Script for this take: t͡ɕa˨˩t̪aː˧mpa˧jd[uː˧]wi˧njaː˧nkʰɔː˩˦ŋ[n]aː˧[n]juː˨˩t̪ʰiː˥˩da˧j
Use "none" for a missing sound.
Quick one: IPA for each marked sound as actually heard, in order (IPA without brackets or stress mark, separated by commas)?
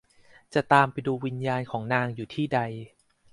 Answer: uː˧, n, ŋ